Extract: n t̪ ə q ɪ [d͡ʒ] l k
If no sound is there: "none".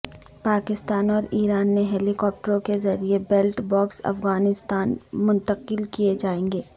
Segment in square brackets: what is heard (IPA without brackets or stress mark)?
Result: none